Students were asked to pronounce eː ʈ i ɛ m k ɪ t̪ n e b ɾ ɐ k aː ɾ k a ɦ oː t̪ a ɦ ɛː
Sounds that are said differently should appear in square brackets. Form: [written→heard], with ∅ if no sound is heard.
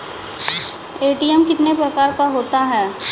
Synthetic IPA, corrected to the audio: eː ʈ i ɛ m k ɪ t̪ n e [b→p] ɾ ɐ k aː ɾ k a ɦ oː t̪ a ɦ ɛː

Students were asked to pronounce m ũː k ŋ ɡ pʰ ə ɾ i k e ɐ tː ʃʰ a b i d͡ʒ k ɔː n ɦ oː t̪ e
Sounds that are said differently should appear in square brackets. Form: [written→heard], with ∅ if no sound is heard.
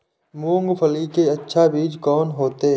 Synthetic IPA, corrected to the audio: m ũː [k→∅] ŋ ɡ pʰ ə [ɾ→l] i k e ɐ tː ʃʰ a b [i→iː] d͡ʒ k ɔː n ɦ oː t̪ e

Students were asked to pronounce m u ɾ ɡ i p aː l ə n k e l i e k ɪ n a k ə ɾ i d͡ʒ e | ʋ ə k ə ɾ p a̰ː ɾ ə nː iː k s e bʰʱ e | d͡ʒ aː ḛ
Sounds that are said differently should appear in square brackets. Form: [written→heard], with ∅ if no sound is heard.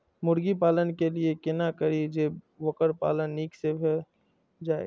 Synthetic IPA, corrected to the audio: m [u→ʊ] ɾ ɡ i p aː l ə n k e l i e k ɪ n a k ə ɾ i d͡ʒ e | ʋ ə k ə ɾ p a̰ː [ɾ→l] ə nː iː k s e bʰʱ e | d͡ʒ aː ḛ

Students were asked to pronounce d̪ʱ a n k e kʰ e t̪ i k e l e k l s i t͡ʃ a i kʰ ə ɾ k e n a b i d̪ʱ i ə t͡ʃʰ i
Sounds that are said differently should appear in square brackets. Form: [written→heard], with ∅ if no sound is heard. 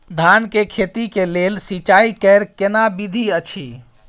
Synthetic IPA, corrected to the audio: d̪ʱ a n k e kʰ e t̪ i k e l e [k→∅] l s i t͡ʃ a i [kʰ→k] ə ɾ k e n a b i d̪ʱ i ə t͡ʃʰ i

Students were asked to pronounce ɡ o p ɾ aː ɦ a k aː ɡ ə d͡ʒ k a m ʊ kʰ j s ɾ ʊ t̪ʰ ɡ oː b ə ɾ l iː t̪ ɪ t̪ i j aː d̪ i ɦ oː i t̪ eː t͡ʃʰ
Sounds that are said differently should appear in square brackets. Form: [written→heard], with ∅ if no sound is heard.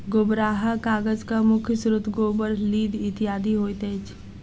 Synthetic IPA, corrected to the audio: ɡ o [p→b] ɾ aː ɦ a k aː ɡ ə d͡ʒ k a m ʊ kʰ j s ɾ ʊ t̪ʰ ɡ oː b ə ɾ l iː [t̪→d̪] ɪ t̪ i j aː d̪ i ɦ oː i t̪ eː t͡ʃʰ

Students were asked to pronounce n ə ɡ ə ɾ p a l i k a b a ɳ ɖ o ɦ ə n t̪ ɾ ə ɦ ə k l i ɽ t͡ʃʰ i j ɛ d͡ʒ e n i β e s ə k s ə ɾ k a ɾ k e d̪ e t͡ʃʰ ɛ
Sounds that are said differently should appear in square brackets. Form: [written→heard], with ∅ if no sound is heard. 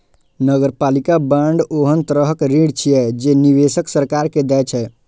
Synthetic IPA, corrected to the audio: n ə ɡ ə ɾ p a l i k a b a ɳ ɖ o ɦ ə n t̪ ɾ ə ɦ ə k [l→ɾ] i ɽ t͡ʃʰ i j ɛ d͡ʒ e n i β e s ə k s ə ɾ k a ɾ k e d̪ [e→ɛ] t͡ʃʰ ɛ

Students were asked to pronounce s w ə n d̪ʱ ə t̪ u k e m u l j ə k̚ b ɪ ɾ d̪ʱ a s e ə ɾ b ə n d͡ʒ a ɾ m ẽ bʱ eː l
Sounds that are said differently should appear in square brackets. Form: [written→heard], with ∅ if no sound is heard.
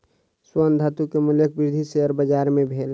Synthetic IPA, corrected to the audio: s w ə n d̪ʱ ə t̪ u k e m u l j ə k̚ b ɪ ɾ d̪ʱ [a→i] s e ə ɾ b ə [n→∅] d͡ʒ a ɾ m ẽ bʱ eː l

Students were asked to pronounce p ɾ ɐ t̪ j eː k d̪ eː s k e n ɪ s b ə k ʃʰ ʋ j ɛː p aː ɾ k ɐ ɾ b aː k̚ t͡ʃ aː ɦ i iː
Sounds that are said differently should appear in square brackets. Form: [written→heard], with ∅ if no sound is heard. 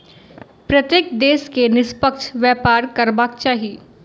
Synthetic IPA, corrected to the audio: p ɾ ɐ t̪ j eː k d̪ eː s k e n ɪ s [b→p] ə k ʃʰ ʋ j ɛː p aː ɾ k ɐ ɾ b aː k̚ t͡ʃ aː ɦ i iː

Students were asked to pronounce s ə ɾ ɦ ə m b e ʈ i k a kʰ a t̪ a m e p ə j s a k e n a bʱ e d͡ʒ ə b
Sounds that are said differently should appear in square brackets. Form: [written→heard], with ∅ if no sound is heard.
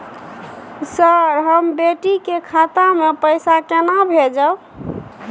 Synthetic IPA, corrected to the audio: s ə ɾ ɦ ə m b e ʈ i k [a→e] kʰ a t̪ a m e p ə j s a k e n a bʱ e d͡ʒ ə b

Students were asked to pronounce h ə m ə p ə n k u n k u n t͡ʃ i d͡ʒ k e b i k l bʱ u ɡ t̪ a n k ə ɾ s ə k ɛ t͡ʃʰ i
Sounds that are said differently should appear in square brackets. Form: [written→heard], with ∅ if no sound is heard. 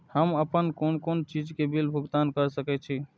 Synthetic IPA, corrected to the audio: h ə m ə p ə n k [u→o] n k [u→o] n t͡ʃ i d͡ʒ k e b i [k→∅] l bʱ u ɡ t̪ a n k ə ɾ s ə k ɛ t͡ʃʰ i

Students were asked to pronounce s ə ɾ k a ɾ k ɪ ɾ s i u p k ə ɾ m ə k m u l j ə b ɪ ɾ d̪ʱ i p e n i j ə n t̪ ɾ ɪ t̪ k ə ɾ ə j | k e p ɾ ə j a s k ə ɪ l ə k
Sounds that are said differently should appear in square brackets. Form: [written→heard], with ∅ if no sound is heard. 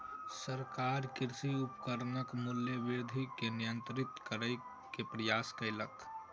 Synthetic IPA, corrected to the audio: s ə ɾ k a ɾ k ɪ ɾ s i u p k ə ɾ [m→n] ə k m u l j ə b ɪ ɾ d̪ʱ i [p→k] e n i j ə n t̪ ɾ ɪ t̪ k ə ɾ ə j | k e p ɾ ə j a s k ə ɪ l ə k

